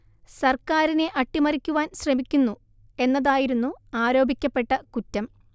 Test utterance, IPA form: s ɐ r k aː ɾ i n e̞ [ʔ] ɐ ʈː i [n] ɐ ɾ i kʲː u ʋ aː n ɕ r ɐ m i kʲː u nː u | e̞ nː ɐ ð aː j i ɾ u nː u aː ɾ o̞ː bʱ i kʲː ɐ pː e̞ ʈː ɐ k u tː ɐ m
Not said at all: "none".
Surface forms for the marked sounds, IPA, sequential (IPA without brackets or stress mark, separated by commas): ʔ, m